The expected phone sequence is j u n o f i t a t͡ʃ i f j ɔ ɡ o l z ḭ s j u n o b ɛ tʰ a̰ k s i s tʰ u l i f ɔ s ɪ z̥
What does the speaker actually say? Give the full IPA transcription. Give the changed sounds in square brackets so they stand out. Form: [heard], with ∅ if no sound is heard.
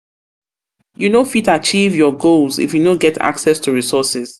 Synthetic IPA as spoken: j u n o f i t a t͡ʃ i [v] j ɔ ɡ o l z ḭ [f] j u n o [ɡ] ɛ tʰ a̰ k s [ɛ] s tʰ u [ɹ] i [s] ɔ s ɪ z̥